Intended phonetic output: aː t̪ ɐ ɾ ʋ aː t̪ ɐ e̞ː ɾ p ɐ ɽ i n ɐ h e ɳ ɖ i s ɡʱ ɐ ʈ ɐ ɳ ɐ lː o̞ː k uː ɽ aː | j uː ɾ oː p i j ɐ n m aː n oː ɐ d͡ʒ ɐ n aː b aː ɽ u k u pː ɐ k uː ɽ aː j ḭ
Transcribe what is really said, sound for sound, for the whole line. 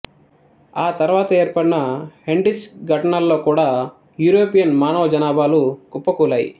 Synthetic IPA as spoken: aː t̪ ɐ ɾ ʋ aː t̪ ɐ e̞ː ɾ p ɐ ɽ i n ɐ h e ɳ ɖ i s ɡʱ ɐ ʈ ɐ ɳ ɐ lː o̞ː k uː ɽ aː | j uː ɾ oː p i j ɐ n m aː n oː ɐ d͡ʒ ɐ n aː b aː l u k u pː ɐ k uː l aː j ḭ